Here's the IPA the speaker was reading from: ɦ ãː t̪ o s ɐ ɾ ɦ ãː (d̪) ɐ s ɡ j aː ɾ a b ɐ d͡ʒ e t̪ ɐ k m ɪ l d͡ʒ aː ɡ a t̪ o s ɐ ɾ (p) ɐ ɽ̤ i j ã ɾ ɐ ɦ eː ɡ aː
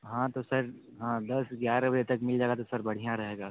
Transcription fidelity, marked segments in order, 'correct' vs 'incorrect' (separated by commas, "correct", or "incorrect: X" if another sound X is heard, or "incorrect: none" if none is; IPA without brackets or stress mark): correct, incorrect: b